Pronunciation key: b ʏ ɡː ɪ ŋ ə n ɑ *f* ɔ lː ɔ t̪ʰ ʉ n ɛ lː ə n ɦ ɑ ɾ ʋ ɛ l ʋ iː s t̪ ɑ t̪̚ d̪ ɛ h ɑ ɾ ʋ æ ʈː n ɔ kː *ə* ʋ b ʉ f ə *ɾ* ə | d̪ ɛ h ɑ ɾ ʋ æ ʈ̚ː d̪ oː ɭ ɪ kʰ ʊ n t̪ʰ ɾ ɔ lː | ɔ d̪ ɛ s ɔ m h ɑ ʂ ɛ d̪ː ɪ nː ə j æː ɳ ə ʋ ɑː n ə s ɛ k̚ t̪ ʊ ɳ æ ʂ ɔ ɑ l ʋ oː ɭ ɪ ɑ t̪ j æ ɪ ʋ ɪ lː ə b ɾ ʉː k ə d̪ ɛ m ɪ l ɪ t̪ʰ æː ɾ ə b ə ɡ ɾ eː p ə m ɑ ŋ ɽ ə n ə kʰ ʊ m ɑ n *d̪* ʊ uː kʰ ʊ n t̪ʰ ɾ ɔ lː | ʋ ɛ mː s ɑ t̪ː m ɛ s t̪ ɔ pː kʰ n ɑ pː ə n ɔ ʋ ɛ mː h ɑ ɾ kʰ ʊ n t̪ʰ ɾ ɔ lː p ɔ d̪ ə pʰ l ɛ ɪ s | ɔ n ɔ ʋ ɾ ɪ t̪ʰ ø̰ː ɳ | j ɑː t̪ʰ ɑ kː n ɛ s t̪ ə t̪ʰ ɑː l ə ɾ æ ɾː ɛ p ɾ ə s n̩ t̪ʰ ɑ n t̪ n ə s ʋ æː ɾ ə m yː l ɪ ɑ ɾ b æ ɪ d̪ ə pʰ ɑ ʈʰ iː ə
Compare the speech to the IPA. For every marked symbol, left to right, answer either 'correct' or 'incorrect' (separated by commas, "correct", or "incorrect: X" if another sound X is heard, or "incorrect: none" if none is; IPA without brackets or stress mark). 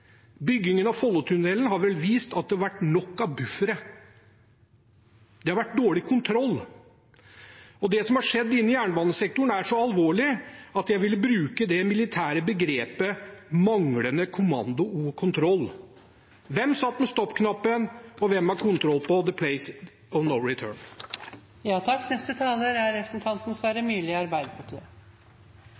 correct, incorrect: ɑ, correct, correct